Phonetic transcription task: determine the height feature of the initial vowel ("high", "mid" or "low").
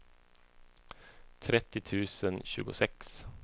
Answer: mid